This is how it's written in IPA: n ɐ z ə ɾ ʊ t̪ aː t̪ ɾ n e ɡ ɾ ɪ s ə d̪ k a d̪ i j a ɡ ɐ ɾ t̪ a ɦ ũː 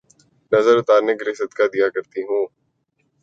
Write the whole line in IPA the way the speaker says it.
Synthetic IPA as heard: n ɐ z ə ɾ ʊ t̪ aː ɾ n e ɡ ɾ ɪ s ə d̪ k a d̪ i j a k ɐ ɾ t̪ i ɦ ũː

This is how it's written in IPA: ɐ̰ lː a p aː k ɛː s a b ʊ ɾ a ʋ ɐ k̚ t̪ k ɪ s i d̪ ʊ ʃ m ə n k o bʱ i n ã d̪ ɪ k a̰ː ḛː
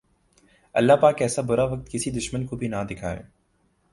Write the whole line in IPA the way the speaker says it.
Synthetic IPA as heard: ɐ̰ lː a p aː k ɛː s a b ʊ ɾ a ʋ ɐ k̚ t̪ k ɪ s i d̪ ʊ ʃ m ə n k o bʱ i n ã d̪ ɪ kʰ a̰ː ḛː

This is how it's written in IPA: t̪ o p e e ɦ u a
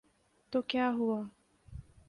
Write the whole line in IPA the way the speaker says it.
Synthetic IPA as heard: t̪ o k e a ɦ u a

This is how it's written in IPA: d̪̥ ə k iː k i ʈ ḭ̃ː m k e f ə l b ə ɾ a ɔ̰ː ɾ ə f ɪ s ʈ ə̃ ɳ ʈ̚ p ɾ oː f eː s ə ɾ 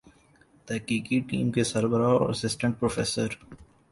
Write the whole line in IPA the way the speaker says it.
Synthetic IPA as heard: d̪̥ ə k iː k i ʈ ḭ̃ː m k e s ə ɾ b ə ɾ a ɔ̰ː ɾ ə s ɪ s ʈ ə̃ ɳ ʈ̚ p ɾ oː f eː s ə ɾ

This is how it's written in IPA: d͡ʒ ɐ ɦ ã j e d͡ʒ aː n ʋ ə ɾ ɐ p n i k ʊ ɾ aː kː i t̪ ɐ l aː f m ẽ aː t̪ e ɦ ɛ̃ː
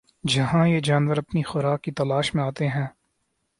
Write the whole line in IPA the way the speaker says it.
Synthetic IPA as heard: d͡ʒ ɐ ɦ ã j e d͡ʒ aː n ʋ ə ɾ ɐ p n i x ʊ ɾ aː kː i t̪ ɐ l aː ʃ m ẽ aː t̪ e ɦ ɛ̃ː

